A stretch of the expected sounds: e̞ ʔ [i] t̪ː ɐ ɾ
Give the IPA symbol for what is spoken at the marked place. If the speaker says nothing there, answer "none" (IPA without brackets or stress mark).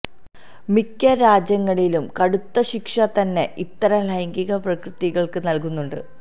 i